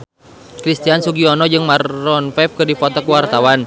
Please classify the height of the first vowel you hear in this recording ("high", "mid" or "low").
high